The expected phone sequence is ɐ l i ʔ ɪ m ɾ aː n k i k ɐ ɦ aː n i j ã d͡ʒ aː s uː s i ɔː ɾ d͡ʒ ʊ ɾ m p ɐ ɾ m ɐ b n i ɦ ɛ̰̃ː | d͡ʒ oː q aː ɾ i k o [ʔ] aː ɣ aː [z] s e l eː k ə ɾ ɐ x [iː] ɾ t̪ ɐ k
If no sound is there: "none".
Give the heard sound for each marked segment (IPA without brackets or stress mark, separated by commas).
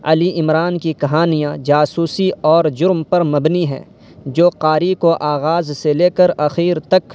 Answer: ʔ, z, iː